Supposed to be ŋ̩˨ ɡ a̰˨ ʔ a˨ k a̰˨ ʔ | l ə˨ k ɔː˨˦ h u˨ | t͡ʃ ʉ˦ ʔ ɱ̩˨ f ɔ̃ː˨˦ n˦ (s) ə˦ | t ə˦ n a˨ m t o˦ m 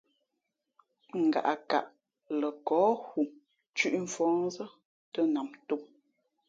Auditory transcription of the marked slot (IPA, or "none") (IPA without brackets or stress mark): z